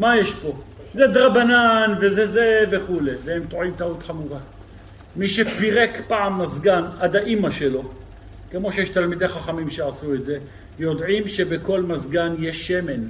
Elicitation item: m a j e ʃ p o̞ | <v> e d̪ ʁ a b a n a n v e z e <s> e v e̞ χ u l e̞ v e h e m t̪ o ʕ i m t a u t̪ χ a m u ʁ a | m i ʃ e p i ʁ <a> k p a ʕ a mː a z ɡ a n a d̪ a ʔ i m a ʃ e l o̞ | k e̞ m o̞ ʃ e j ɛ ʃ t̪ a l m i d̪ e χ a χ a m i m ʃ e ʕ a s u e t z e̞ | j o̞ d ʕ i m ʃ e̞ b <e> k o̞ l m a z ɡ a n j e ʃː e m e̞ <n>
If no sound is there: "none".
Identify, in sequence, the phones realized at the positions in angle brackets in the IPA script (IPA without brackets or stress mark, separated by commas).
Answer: z, z, e, e, n